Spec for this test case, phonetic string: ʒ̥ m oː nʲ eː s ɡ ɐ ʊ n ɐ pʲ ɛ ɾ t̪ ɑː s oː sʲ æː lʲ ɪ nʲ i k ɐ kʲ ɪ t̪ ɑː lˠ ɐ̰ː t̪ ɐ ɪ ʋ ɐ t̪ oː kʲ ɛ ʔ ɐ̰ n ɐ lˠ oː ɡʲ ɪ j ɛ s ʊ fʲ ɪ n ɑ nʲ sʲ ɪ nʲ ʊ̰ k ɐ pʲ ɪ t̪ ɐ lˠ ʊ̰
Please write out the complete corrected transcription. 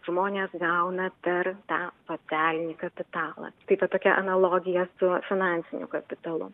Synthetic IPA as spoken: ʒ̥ m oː nʲ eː s ɡ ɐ ʊ n ɐ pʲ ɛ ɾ t̪ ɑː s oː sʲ æː lʲ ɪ nʲ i k ɐ pʲ ɪ t̪ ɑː lˠ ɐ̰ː t̪ ɐ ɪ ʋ ɐ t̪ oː kʲ ɛ ʔ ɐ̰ n ɐ lˠ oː ɡʲ ɪ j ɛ s ʊ fʲ ɪ n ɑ nʲ sʲ ɪ nʲ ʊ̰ k ɐ pʲ ɪ t̪ ɐ lˠ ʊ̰